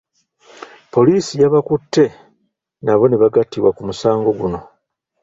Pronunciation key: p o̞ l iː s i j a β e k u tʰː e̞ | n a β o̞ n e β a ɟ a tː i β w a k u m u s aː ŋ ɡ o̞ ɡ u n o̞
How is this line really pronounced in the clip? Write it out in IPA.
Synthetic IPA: p o̞ l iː s i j a β a k u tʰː e̞ | n a β o̞ n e β a ɡ a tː i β w a k u m u s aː ŋ ɡ o̞ ɡ u n o̞